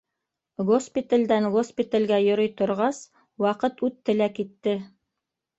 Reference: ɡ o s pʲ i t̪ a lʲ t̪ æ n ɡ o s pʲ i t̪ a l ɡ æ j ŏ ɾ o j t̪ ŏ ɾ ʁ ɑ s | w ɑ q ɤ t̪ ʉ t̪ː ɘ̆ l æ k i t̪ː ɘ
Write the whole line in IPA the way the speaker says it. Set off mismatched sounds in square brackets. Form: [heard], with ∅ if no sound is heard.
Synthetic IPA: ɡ o s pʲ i t̪ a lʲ [d̪] æ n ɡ o s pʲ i t̪ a l ɡ æ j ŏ ɾ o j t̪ ŏ ɾ ʁ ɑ s | w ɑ q ɤ t̪ ʉ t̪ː ɘ̆ l æ k i t̪ː ɘ